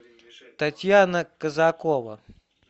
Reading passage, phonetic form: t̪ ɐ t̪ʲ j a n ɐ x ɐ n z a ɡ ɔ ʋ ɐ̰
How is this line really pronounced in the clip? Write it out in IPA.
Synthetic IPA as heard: t̪ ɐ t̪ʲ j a n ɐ k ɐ z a k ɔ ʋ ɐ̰